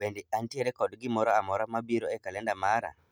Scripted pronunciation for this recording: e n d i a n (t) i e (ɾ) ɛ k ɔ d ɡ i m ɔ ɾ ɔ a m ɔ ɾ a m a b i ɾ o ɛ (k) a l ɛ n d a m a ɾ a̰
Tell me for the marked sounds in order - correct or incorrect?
correct, correct, correct

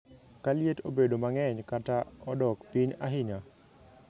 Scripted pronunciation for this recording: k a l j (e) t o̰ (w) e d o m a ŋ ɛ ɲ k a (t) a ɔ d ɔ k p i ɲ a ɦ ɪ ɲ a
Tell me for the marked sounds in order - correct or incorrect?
correct, incorrect: b, correct

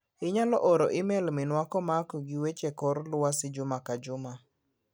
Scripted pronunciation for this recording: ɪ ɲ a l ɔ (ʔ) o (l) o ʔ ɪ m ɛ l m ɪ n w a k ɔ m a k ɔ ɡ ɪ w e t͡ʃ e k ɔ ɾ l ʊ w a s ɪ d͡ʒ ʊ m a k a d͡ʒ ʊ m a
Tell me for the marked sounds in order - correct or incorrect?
correct, incorrect: ɾ

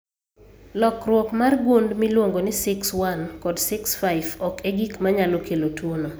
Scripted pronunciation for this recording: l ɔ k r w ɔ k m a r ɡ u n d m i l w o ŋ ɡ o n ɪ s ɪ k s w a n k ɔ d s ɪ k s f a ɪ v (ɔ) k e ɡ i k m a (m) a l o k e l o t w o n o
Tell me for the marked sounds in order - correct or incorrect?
correct, incorrect: ɲ

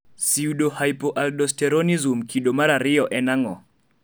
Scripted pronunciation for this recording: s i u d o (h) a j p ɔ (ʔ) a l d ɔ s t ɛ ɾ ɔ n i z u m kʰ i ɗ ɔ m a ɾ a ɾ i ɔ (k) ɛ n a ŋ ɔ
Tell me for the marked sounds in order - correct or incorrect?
correct, correct, incorrect: ʔ

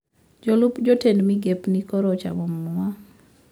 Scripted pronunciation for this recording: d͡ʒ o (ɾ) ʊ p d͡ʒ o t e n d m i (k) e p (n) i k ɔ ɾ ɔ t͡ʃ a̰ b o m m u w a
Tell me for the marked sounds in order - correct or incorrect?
incorrect: l, incorrect: ɡ, correct

